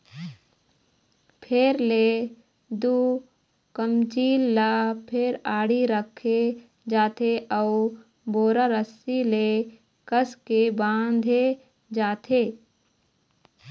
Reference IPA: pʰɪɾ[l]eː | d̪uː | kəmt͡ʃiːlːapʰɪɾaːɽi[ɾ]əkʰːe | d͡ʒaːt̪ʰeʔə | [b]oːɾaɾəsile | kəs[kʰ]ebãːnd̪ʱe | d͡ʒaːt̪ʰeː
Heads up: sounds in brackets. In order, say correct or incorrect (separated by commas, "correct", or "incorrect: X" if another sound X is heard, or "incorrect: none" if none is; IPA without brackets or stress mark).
correct, correct, correct, incorrect: k